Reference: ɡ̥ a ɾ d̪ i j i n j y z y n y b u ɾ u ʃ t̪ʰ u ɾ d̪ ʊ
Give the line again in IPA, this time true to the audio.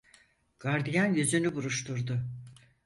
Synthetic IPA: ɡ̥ a ɾ d̪ i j a n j y z y n y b u ɾ u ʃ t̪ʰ u ɾ d̪ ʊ